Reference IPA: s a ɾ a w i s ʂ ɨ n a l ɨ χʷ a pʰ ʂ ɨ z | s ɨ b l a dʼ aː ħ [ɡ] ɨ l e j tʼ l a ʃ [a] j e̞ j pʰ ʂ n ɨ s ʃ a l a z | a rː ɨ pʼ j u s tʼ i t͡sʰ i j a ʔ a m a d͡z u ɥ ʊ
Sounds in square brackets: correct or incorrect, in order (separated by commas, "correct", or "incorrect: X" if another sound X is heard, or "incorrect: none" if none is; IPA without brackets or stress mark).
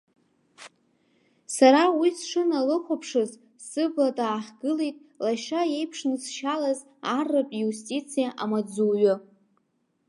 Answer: correct, correct